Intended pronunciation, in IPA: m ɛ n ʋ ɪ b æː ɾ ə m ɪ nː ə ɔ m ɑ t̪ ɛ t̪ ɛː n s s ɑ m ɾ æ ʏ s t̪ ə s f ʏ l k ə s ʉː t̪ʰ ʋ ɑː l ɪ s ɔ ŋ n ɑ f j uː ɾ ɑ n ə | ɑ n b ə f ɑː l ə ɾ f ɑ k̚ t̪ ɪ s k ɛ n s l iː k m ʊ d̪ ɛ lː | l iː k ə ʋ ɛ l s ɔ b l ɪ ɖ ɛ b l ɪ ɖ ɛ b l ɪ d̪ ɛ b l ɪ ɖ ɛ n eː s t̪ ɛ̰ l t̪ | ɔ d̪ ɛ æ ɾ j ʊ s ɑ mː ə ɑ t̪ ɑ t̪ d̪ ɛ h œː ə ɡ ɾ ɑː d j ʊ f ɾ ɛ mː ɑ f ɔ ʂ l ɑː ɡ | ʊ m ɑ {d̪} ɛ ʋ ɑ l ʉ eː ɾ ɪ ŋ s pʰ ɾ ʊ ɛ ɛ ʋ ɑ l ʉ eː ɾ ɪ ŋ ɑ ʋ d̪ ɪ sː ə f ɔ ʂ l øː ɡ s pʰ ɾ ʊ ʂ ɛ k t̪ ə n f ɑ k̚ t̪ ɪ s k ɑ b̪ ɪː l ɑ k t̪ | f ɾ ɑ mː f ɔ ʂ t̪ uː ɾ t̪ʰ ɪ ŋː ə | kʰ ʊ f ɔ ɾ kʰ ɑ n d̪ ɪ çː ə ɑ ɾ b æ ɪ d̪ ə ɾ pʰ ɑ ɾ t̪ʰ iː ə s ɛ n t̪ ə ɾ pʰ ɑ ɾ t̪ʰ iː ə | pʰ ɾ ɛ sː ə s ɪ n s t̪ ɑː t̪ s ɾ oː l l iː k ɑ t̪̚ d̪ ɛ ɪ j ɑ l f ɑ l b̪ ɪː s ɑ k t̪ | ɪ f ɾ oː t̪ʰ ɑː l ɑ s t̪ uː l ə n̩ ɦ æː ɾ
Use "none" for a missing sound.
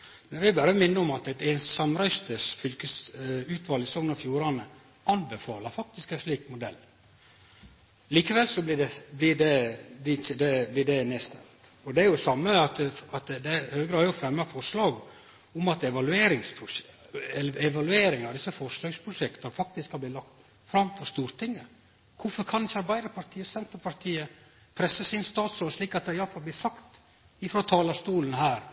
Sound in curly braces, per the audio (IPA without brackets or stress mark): t̪